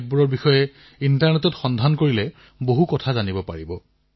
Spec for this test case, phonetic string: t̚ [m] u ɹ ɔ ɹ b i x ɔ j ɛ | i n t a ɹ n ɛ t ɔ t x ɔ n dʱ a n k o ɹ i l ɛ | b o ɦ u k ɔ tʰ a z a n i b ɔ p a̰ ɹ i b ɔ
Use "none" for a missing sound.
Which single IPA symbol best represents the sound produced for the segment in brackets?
b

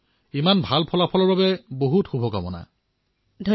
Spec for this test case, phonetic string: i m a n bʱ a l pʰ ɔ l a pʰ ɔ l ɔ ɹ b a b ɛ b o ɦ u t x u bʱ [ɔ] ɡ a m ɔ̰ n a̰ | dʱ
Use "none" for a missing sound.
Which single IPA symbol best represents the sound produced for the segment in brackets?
ɔ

